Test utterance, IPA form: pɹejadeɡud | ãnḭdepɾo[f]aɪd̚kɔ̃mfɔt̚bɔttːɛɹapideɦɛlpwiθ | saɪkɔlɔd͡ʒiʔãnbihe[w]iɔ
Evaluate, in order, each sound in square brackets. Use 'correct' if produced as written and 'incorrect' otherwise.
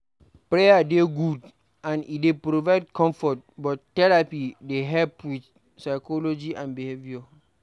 incorrect, incorrect

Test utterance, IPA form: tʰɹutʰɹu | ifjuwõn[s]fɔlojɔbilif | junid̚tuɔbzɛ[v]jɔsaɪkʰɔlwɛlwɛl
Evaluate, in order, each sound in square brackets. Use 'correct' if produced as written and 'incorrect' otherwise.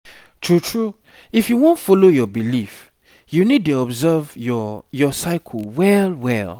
incorrect, correct

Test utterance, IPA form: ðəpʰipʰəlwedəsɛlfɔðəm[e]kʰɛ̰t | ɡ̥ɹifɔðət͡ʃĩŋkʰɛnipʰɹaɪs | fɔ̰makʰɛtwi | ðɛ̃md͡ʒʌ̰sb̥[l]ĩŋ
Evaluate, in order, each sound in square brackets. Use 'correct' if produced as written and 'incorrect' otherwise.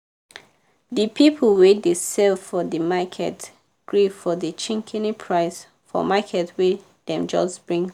incorrect, incorrect

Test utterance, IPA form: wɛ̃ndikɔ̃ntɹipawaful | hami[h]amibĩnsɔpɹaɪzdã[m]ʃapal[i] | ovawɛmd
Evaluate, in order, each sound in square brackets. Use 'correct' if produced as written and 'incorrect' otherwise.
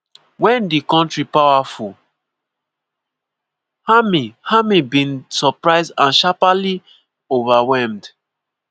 correct, incorrect, correct

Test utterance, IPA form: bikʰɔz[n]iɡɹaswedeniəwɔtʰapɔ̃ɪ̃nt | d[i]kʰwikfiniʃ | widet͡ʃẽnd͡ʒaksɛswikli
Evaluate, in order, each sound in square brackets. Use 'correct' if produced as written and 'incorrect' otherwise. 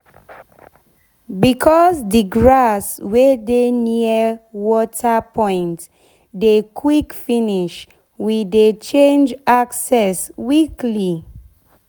incorrect, incorrect

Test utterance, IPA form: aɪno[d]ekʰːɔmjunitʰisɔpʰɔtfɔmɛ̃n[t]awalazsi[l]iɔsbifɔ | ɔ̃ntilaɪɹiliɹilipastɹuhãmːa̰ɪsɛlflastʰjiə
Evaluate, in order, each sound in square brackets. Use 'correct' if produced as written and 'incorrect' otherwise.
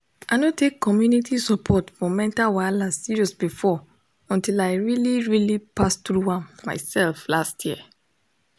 incorrect, correct, incorrect

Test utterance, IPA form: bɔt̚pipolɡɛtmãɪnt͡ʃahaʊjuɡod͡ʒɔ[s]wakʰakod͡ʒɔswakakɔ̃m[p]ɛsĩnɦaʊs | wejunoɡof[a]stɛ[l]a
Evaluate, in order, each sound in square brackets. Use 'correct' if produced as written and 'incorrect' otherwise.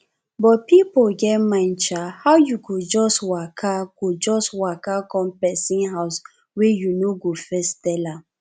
correct, correct, incorrect, correct

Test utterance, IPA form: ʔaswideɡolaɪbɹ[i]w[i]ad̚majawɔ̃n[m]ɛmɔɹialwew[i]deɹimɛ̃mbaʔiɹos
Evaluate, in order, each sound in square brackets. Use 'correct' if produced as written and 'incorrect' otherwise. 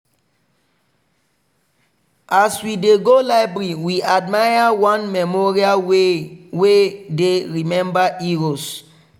correct, correct, correct, incorrect

